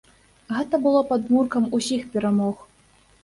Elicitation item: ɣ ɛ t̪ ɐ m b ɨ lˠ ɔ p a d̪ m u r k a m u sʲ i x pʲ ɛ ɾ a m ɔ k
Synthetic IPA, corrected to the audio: ɣ ɛ t̪ ɐ b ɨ lˠ ɔ p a d̪ m u r k ɐ m u sʲ i x pʲ ɛ ɾ a m ɔ x